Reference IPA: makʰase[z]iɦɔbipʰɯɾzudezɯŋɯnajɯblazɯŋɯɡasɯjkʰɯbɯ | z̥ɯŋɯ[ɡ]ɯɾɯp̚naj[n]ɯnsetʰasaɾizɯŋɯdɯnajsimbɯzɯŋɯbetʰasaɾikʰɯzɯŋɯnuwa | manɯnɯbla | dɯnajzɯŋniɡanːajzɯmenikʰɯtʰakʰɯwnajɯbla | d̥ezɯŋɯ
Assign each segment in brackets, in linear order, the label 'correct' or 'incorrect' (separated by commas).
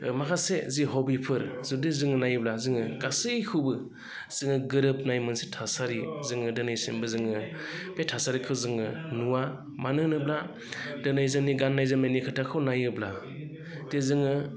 correct, correct, incorrect